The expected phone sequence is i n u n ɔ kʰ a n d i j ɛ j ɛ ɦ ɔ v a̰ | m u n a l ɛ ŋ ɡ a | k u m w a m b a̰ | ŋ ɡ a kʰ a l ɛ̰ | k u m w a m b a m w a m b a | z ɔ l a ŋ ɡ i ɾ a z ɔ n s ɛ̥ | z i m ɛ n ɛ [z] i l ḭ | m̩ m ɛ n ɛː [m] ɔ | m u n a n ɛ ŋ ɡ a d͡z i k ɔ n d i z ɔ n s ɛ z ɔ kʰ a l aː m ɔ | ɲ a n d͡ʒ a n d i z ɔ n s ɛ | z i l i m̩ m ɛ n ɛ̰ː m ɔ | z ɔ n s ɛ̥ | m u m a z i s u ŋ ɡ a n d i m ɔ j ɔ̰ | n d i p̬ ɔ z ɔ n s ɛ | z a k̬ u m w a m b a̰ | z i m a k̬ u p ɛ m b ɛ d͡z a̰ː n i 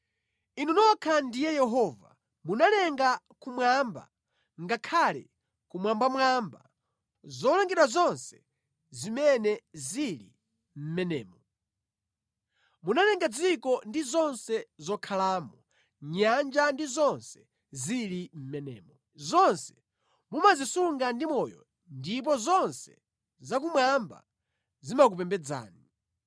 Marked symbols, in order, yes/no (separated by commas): yes, yes